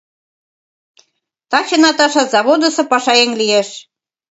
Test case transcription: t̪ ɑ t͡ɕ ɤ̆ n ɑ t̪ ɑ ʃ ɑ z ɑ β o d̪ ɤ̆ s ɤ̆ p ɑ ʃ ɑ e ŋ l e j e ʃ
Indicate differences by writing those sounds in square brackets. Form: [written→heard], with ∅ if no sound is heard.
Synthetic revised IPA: t̪ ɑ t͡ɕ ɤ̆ n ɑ t̪ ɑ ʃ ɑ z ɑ β o d̪ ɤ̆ s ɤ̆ p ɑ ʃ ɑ e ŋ l [e→i] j e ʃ